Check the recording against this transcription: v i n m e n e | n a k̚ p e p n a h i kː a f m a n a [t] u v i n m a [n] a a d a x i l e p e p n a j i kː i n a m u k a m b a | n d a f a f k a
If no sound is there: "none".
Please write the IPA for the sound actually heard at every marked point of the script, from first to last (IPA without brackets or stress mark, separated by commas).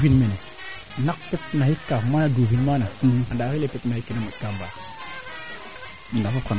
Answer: d, n